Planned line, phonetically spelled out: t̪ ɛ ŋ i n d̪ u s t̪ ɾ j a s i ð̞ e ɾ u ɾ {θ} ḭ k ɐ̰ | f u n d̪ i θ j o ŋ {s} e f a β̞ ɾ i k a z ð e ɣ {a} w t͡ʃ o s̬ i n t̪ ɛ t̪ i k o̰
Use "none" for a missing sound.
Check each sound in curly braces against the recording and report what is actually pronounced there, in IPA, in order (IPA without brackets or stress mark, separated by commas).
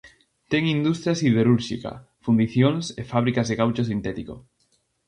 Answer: ʃ, s, a